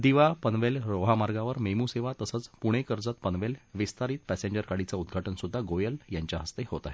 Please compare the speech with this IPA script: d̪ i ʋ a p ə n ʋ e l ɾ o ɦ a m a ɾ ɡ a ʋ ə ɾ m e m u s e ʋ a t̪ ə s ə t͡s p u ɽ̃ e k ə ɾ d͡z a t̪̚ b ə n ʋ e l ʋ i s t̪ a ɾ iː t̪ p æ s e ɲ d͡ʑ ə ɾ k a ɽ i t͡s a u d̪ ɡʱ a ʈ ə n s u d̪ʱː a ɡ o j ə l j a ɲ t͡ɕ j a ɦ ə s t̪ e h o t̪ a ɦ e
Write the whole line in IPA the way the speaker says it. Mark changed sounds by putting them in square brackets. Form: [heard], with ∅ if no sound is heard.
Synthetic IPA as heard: d̪ i ʋ a p ə n ʋ e l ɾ o ɦ a m a ɾ ɡ a ʋ ə ɾ m e m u s e ʋ a t̪ ə s ə t͡s p u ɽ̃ e k ə ɾ d͡z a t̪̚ [p] ə n ʋ e l ʋ i s t̪ a ɾ iː t̪ p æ s e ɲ d͡ʑ ə ɾ k a ɽ i t͡s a u d̪ ɡʱ a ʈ ə n s u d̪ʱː a ɡ o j ə l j a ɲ t͡ɕ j a ɦ ə s t̪ e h o t̪ a ɦ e